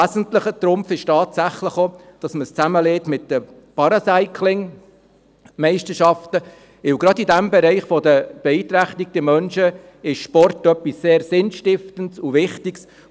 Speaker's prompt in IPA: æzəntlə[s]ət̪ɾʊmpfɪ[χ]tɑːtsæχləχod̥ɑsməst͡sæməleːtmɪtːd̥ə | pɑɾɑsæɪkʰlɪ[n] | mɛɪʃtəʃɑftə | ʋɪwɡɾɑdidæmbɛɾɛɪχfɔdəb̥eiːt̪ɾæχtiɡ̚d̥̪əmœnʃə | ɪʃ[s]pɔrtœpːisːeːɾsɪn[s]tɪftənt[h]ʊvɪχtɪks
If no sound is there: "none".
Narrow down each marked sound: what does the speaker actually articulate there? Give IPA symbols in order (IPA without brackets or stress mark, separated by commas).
χ, ʃ, ŋ, ʃ, ʃ, s